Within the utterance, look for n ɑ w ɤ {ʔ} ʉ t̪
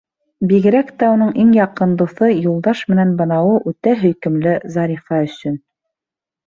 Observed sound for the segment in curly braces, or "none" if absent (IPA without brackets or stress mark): ʔ